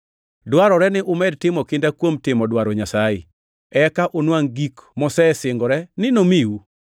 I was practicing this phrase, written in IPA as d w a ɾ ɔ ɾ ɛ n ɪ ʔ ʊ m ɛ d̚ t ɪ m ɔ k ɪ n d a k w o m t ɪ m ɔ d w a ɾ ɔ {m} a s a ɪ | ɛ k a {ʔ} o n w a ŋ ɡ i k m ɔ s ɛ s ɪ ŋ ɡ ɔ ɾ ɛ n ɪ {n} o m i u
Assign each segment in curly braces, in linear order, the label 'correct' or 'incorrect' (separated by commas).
incorrect, correct, correct